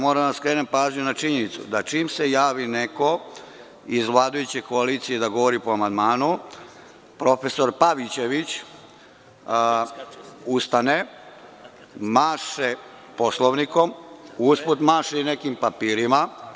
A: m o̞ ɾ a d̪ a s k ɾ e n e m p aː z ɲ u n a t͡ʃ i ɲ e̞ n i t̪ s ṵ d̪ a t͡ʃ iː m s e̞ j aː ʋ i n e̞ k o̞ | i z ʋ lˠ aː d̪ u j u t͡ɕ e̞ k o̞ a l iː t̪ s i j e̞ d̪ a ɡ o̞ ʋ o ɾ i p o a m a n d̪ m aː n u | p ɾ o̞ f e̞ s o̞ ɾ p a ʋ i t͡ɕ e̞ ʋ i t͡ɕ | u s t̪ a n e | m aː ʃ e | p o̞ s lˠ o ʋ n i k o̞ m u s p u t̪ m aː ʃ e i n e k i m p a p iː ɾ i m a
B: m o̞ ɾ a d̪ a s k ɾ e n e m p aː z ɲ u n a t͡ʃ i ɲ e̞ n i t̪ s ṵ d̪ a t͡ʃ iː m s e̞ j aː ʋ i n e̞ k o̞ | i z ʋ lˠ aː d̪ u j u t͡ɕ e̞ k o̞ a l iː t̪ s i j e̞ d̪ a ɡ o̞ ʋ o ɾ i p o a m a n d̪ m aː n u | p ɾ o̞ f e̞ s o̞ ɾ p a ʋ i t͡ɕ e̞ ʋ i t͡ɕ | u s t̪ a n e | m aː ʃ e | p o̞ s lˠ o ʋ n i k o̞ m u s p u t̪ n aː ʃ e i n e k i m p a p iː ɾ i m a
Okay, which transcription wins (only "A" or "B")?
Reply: A